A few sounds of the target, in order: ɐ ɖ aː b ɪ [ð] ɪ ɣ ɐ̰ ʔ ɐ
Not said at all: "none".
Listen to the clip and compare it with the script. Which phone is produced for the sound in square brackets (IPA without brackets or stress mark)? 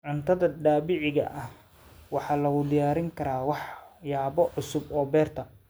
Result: ʕ